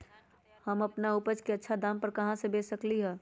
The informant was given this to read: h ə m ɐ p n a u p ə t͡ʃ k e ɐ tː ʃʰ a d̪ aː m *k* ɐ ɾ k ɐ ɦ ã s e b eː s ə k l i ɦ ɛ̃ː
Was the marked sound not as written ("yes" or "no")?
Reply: yes